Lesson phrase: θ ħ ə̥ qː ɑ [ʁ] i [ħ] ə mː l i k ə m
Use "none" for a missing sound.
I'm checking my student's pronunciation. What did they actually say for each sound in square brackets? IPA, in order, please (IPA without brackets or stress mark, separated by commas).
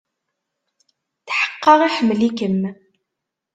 ʁ, ħ